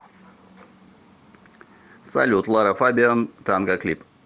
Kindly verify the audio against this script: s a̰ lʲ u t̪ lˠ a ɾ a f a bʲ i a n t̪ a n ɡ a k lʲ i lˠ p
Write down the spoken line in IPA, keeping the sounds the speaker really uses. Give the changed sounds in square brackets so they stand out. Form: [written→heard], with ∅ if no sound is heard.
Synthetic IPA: s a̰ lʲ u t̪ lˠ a ɾ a f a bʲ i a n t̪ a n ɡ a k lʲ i [lˠ→∅] p